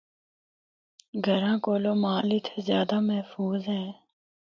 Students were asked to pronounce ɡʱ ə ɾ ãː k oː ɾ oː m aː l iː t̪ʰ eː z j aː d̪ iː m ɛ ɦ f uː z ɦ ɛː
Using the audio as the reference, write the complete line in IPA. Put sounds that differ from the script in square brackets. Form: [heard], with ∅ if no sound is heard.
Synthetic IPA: ɡʱ ə ɾ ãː k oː [l] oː m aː l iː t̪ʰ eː z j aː d̪ [aː] m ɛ ɦ f uː z ɦ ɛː